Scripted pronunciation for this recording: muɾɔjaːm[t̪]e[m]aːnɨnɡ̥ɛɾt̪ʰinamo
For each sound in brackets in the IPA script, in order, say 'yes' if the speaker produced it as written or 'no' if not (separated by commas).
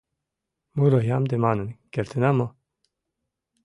no, yes